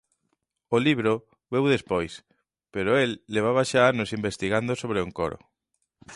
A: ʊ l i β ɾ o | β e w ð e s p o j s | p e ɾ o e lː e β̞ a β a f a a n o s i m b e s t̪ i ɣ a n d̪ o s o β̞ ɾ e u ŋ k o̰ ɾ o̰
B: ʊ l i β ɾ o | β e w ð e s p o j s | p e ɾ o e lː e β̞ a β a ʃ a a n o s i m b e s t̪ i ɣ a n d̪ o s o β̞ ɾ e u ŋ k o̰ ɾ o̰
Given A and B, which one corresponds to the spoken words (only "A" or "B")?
B